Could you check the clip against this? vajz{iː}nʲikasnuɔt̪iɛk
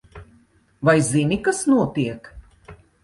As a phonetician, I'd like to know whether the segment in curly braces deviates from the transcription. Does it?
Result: yes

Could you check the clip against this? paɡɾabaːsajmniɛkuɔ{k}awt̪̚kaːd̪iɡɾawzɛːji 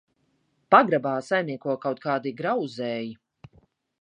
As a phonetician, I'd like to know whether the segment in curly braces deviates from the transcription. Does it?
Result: no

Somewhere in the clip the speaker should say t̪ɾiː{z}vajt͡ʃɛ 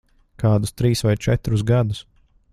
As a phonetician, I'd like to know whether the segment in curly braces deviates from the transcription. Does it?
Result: yes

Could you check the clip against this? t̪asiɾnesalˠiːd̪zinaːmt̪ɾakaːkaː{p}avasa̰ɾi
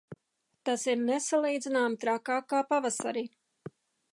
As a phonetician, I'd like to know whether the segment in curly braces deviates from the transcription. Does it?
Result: no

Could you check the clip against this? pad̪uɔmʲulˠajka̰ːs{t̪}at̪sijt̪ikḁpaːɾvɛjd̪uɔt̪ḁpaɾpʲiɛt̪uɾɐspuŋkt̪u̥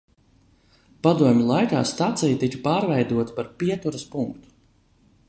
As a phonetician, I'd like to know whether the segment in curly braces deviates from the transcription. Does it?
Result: no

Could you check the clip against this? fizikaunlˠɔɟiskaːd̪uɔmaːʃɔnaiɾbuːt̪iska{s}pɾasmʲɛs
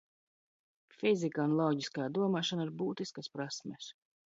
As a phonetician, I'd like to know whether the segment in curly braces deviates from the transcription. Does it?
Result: no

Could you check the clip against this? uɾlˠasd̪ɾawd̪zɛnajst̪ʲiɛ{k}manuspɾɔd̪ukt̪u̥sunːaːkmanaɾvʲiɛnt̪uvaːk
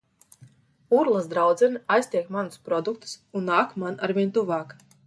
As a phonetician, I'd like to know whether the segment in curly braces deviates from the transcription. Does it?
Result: no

